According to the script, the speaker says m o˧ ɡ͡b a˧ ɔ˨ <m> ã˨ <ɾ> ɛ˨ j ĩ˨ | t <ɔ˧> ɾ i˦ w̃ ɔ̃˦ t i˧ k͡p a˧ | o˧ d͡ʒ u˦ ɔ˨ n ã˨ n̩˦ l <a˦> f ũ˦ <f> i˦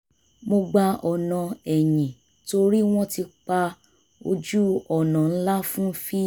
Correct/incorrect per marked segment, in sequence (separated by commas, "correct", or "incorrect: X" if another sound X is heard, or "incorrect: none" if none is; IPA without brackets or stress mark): incorrect: n, incorrect: none, incorrect: o˧, correct, correct